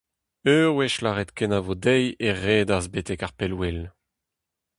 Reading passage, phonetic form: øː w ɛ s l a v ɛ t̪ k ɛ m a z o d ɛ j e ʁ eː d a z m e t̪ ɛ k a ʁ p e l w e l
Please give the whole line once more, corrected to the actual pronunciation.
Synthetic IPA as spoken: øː w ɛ ʃ l a ʁ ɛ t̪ k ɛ n a v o d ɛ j e ʁ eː d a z b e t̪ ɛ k a ʁ p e l w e l